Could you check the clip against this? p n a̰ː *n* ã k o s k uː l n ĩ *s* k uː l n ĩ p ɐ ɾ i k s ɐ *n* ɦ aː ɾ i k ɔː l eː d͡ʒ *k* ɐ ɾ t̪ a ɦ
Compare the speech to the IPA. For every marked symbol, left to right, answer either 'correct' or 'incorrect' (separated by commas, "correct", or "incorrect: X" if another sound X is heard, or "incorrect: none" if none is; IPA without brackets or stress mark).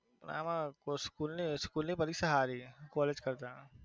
incorrect: m, correct, incorrect: none, correct